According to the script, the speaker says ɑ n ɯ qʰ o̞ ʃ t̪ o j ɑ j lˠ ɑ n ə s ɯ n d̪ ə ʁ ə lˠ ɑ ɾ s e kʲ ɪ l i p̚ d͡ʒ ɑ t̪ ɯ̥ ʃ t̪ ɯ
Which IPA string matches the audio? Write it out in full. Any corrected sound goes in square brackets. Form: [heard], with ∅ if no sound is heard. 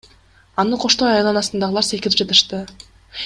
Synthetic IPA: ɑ n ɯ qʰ o̞ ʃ t̪ o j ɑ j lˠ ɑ n [ɑ] s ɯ n d̪ [ɑ] ʁ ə lˠ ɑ ɾ s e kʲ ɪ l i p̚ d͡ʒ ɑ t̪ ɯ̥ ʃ t̪ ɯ